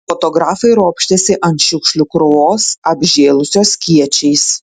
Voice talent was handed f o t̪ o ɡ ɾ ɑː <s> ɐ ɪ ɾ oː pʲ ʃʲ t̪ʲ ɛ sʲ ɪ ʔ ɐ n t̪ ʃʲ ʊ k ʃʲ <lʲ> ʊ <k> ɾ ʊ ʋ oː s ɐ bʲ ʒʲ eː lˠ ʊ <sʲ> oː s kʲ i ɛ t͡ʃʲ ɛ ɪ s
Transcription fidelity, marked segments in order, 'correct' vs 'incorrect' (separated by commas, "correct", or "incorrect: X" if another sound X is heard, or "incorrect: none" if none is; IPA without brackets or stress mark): incorrect: f, correct, correct, correct